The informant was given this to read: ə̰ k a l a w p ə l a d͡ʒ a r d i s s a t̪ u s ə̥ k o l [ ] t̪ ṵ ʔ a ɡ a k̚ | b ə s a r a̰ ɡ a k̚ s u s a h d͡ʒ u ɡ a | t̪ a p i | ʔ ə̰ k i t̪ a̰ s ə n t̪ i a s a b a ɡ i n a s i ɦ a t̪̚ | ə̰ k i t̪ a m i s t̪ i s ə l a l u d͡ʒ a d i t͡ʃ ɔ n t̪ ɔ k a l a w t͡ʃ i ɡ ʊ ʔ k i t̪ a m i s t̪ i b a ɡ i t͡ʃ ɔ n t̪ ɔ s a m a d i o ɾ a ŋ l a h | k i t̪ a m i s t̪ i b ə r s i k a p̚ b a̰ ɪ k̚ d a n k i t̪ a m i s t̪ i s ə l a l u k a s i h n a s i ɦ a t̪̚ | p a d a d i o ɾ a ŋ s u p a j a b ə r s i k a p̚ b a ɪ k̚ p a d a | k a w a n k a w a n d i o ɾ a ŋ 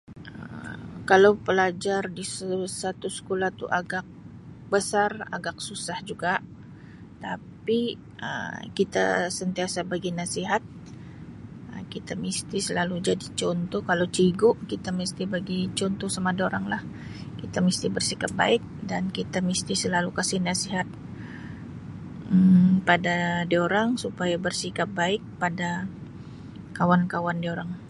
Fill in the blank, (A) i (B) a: B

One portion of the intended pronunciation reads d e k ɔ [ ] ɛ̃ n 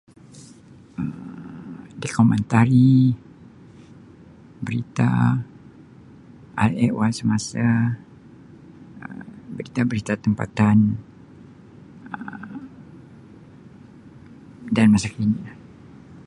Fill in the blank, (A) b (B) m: B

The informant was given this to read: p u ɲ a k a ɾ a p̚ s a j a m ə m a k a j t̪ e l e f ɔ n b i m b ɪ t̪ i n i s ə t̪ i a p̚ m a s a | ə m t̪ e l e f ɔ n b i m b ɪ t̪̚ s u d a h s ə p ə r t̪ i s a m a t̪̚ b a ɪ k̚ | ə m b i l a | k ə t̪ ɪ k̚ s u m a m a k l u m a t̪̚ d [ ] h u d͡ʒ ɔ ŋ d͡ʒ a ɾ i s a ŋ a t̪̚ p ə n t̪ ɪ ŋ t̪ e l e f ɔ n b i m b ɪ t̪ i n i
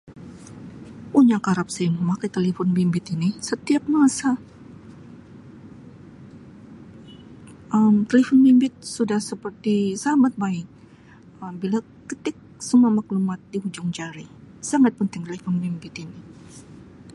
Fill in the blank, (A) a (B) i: B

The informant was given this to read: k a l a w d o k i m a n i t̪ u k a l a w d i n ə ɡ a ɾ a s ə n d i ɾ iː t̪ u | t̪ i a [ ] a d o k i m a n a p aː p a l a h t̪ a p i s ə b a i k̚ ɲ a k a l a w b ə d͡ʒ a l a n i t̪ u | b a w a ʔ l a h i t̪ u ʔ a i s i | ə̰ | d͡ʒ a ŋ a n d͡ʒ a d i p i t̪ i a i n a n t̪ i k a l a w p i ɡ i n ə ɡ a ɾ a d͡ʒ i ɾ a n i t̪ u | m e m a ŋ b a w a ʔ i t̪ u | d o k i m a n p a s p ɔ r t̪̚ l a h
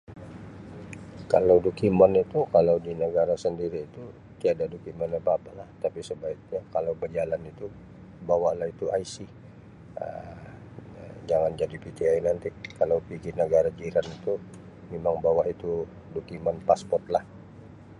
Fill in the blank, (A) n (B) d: B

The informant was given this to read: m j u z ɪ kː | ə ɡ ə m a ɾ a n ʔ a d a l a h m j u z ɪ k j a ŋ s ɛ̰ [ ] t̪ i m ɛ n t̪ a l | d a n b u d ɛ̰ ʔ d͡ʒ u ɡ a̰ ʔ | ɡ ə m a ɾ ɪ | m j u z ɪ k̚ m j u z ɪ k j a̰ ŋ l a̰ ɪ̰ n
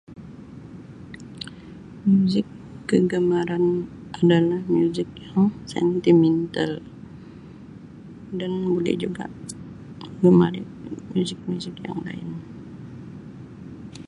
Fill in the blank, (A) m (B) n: B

